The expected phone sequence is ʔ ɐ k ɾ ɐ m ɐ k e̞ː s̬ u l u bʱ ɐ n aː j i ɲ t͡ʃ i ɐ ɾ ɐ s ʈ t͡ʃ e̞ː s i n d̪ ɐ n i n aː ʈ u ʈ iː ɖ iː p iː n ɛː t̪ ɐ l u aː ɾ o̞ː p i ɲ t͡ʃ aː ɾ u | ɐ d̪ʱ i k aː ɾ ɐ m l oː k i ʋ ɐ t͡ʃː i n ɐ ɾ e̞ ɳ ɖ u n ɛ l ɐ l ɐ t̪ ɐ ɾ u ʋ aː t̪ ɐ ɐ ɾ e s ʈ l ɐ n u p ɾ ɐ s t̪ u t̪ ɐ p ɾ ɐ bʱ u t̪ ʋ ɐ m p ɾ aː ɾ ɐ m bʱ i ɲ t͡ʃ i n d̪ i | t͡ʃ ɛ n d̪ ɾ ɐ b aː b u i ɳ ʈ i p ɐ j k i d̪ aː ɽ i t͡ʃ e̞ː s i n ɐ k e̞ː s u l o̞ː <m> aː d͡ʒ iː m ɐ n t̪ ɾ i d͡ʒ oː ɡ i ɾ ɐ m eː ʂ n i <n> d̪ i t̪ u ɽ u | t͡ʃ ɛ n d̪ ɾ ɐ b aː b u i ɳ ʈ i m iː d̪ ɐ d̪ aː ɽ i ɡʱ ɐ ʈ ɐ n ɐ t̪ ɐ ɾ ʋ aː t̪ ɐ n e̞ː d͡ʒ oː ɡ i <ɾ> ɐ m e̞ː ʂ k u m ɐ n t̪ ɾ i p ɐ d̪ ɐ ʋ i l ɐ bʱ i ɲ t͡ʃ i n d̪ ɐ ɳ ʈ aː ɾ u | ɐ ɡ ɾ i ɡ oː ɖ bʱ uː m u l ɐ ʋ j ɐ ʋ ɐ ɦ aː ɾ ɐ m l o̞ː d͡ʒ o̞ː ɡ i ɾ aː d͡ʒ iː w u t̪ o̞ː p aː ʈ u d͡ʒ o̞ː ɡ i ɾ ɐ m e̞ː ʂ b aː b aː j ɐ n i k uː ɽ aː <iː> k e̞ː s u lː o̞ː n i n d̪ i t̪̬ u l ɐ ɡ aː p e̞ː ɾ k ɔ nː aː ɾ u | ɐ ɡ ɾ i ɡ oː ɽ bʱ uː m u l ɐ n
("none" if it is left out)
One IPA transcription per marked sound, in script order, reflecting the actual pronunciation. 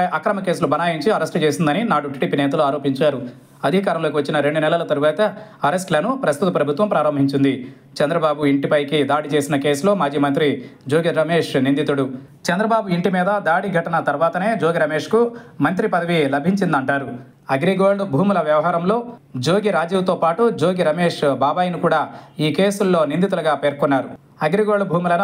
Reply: m, n, ɾ, iː

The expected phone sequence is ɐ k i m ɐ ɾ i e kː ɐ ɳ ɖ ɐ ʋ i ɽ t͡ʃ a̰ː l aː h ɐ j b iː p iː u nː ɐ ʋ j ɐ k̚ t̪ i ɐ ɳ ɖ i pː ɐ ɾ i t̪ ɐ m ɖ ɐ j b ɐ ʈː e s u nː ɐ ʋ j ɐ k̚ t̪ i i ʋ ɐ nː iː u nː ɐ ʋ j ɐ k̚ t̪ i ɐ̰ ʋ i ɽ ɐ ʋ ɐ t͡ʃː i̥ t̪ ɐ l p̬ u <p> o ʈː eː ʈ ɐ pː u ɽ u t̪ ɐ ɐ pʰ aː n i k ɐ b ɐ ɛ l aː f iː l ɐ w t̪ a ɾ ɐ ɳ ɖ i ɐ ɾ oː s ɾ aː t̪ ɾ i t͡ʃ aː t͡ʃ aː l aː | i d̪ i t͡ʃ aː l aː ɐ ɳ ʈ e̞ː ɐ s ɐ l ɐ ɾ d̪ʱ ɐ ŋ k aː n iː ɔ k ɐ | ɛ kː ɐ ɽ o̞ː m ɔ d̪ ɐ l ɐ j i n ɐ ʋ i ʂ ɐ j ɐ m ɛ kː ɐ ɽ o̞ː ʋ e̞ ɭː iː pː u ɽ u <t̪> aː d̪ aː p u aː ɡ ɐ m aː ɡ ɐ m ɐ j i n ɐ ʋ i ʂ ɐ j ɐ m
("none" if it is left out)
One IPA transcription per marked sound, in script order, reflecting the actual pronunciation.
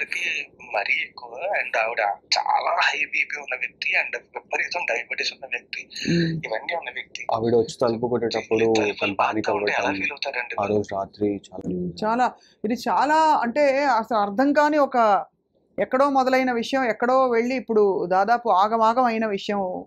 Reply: k, d̪

